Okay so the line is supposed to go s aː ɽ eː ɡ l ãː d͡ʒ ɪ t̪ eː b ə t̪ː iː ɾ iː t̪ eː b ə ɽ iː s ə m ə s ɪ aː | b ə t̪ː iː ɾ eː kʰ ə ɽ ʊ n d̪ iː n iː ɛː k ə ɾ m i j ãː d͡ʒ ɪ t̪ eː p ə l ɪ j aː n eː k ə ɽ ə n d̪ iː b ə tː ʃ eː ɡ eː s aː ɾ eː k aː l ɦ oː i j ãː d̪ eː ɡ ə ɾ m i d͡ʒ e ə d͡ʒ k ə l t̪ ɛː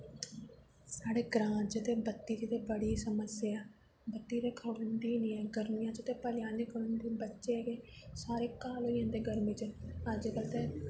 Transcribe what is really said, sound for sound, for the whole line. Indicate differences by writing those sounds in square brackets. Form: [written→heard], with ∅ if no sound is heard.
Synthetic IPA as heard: s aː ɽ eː ɡ [l→ɾ] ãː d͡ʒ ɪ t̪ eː b ə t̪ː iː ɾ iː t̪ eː b ə ɽ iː s ə m ə s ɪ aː | b ə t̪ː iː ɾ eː kʰ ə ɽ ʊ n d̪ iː n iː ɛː [k→ɡ] ə ɾ m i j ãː d͡ʒ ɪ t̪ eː p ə l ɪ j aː n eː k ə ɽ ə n d̪ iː b ə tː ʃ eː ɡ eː s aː ɾ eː k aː l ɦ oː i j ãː d̪ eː ɡ ə ɾ m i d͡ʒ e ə d͡ʒ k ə l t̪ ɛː